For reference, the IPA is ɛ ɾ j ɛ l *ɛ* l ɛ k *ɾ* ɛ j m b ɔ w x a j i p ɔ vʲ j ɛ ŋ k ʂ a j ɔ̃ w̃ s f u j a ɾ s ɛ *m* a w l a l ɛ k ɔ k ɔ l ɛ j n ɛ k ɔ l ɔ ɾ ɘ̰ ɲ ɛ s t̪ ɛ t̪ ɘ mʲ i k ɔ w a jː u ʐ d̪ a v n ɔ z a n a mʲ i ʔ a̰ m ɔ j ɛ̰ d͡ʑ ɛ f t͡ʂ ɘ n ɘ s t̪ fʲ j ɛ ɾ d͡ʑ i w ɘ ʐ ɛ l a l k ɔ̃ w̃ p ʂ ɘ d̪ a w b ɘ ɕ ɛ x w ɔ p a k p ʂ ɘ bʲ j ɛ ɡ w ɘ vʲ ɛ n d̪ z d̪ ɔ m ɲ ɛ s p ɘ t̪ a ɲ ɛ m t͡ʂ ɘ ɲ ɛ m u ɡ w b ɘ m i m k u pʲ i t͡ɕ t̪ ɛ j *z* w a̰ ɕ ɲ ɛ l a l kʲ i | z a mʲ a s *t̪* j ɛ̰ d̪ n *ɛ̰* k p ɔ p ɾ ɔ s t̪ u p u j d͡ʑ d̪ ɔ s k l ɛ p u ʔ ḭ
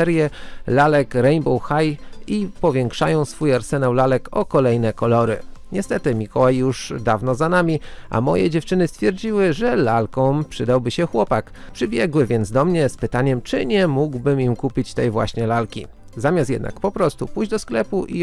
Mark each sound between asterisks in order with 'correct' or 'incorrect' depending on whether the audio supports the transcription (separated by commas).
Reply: incorrect, correct, incorrect, incorrect, correct, incorrect